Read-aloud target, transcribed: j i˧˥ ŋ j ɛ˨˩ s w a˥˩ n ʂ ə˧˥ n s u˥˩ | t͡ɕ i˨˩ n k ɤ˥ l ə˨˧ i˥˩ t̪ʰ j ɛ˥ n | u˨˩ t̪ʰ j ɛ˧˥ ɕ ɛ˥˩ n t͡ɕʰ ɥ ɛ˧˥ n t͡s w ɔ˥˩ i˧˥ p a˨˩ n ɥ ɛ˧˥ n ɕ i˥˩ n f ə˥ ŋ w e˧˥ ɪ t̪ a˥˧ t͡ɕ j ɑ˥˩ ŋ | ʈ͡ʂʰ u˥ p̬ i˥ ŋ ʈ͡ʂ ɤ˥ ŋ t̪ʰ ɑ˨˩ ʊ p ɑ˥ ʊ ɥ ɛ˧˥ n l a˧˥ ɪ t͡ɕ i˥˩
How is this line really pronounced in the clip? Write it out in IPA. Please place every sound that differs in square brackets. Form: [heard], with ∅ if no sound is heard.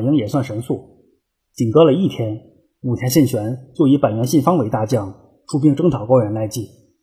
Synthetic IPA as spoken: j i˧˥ ŋ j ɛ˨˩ s w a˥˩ n ʂ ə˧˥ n s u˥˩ | t͡ɕ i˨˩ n k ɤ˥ l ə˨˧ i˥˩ t̪ʰ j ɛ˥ n | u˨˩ t̪ʰ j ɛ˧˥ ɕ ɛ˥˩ n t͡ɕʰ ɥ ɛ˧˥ n t͡s w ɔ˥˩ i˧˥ p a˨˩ n ɥ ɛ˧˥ n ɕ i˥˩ n f [ɑ˥] ŋ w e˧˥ ɪ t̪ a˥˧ t͡ɕ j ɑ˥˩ ŋ | ʈ͡ʂʰ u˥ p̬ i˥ ŋ ʈ͡ʂ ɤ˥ ŋ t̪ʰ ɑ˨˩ ʊ [k] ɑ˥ ʊ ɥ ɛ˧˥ n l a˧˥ ɪ t͡ɕ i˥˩